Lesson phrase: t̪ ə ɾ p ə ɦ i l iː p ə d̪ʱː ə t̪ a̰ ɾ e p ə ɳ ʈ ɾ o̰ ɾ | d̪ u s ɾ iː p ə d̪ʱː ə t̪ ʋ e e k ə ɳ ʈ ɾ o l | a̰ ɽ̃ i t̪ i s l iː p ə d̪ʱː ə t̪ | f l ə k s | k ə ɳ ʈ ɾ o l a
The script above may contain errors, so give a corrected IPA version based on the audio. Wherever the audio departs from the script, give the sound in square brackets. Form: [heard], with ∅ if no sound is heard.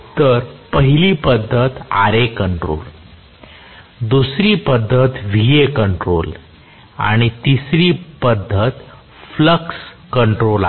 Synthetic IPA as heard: t̪ ə ɾ p ə ɦ i l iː p ə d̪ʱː ə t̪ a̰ ɾ e [k] ə ɳ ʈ ɾ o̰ [l] | d̪ u s ɾ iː p ə d̪ʱː ə t̪ ʋ [i] e k ə ɳ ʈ ɾ o l | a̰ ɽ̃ i t̪ i s [ɾ] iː p ə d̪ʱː ə t̪ | f l ə k s | k ə ɳ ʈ ɾ o l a